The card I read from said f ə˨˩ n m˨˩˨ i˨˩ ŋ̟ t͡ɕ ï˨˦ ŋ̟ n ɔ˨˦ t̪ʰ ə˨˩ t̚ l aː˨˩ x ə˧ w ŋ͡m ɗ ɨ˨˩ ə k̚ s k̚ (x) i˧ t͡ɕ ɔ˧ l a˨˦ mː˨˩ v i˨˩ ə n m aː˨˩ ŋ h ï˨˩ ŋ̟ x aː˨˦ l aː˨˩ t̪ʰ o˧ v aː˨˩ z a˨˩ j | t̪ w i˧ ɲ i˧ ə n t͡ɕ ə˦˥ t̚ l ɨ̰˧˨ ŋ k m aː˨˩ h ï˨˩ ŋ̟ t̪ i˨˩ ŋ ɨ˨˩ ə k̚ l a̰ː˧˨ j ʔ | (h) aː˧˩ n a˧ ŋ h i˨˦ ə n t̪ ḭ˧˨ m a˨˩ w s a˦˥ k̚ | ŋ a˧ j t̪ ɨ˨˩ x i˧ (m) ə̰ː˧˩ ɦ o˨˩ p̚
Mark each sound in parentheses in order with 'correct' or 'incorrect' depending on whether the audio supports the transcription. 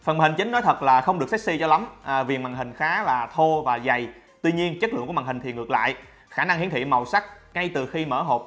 incorrect: s, incorrect: x, correct

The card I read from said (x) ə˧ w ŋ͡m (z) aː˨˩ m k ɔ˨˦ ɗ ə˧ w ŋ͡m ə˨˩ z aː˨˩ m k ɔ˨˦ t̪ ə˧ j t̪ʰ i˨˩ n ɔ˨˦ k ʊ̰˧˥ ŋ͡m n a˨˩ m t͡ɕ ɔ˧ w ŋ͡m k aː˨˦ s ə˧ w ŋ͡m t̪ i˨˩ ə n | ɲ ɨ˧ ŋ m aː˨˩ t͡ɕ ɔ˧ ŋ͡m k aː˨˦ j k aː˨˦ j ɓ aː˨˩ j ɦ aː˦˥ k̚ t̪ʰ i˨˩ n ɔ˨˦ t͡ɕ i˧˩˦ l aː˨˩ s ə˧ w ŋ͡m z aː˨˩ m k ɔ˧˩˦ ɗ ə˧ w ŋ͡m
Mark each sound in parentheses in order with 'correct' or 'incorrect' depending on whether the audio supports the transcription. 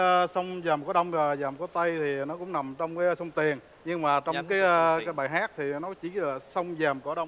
incorrect: s, correct

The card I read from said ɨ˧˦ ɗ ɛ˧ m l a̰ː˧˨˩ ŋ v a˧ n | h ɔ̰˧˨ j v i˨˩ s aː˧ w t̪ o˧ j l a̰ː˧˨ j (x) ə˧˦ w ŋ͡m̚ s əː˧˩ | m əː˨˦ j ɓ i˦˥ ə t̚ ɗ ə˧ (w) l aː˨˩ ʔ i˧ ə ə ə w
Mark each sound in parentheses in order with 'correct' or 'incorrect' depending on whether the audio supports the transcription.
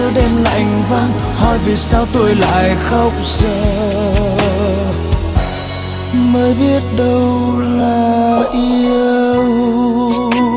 correct, correct

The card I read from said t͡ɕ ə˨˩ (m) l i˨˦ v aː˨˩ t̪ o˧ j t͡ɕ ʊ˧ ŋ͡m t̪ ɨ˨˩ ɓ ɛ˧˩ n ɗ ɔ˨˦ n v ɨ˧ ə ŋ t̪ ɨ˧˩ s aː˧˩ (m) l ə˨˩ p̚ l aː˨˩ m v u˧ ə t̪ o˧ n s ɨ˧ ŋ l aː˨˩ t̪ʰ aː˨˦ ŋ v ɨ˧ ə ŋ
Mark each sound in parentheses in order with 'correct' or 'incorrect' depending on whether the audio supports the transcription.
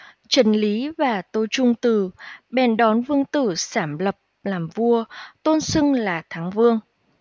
incorrect: n, correct

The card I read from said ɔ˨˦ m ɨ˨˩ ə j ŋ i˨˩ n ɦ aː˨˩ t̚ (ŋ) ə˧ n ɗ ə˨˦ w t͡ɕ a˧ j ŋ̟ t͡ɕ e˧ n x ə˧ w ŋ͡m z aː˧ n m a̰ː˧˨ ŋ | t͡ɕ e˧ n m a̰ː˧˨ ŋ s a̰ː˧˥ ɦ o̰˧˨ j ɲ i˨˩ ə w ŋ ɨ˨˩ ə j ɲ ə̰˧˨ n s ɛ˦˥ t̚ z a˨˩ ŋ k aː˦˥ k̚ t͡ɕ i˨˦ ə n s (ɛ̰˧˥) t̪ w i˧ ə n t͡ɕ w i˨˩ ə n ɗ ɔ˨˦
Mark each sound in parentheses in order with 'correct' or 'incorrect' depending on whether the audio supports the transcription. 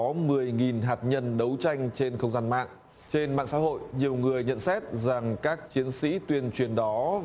incorrect: ɲ, incorrect: ḭ˧˥

